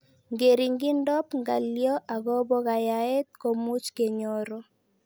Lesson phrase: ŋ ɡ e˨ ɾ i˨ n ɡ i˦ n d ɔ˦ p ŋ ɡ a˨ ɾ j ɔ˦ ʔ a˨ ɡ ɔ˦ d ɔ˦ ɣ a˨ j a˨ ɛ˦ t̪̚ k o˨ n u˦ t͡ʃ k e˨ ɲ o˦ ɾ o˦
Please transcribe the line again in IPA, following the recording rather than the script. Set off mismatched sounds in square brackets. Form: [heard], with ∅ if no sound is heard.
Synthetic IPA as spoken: ŋ ɡ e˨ ɾ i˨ [ŋ] ɡ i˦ n d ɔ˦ p ŋ ɡ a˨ [l] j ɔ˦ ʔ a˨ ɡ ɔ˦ [b] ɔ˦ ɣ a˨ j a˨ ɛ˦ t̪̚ k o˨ [m] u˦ t͡ʃ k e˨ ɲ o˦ ɾ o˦